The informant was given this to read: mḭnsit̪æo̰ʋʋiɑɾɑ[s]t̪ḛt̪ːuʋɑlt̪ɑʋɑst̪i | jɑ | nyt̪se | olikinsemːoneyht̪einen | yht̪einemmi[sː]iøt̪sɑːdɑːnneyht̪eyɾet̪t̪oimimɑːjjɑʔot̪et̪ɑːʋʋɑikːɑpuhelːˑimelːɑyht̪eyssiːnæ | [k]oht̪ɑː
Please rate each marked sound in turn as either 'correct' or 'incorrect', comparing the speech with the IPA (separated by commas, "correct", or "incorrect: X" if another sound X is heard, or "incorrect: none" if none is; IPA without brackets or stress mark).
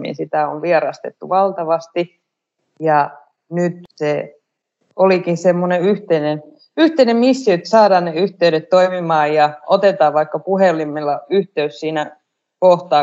correct, correct, correct